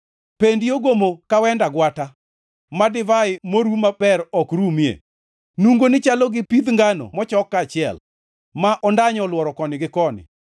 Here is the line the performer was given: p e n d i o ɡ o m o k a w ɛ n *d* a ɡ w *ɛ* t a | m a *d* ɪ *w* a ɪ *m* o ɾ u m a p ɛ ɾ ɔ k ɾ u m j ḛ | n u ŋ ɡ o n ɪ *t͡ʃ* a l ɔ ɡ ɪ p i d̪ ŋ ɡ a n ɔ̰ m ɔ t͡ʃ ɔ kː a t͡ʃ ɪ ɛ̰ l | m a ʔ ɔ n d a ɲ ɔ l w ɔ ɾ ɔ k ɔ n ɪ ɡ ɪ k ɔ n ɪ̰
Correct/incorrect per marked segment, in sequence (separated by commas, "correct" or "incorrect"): correct, incorrect, correct, incorrect, correct, correct